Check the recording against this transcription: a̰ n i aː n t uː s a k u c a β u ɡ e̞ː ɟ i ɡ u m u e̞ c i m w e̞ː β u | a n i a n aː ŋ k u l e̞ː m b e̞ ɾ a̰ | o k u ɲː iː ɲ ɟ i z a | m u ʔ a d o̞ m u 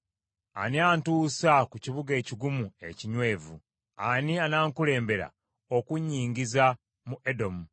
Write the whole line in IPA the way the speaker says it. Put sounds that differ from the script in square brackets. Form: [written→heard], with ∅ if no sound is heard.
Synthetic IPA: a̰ n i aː n t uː s a k u c [a→i] β u ɡ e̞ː [ɟ→c] i ɡ u m u e̞ c i [m→ɲ] w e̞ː [β→v] u | a n i a n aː ŋ k u l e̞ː m b e̞ ɾ a̰ | o k u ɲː iː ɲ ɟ i z a | m u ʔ [a→e] d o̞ m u